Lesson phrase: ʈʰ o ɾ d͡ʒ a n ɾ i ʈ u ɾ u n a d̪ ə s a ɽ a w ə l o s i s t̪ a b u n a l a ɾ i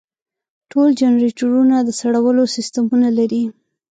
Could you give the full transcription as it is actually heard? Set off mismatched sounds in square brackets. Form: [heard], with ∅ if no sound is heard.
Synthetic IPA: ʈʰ o [l] d͡ʒ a n ɾ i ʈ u ɾ u n a d̪ ə s a ɽ a w ə l o s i s t̪ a [m] u n a l a ɾ i